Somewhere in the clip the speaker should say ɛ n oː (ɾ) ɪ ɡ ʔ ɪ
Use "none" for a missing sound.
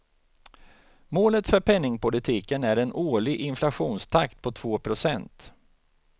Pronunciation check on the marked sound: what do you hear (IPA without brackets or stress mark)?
ɭ